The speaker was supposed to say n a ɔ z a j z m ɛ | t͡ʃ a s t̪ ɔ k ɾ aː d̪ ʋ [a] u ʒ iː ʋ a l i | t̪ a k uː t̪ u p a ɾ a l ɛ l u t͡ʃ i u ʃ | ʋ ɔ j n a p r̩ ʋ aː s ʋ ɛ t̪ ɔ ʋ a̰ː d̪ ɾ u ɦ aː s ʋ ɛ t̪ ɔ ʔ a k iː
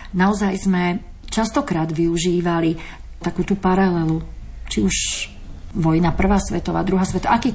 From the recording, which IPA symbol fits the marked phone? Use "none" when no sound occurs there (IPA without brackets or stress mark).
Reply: i